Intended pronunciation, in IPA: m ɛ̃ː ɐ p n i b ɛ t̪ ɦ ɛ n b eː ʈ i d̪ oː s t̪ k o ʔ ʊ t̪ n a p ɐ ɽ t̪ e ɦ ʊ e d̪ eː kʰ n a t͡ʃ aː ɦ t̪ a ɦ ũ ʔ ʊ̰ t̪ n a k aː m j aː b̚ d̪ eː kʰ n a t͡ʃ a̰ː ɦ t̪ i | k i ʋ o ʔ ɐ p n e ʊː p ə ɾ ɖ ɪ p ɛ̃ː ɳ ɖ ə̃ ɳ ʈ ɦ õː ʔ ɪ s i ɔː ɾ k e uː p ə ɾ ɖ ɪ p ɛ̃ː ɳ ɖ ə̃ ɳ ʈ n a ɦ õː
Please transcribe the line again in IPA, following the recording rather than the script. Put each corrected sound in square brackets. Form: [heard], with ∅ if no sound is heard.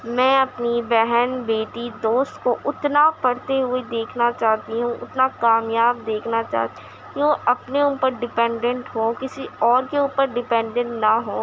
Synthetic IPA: m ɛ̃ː ɐ p n i b ɛ [∅] ɦ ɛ n b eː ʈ i d̪ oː s t̪ k o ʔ ʊ t̪ n a p ɐ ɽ t̪ e ɦ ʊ e d̪ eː kʰ n a t͡ʃ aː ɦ t̪ [i] ɦ ũ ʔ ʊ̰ t̪ n a k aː m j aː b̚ d̪ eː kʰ n a t͡ʃ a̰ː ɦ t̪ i | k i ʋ o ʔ ɐ p n e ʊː p ə ɾ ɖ ɪ p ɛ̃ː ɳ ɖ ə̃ ɳ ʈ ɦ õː [k] ɪ s i ɔː ɾ k e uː p ə ɾ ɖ ɪ p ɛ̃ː ɳ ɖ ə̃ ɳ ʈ n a ɦ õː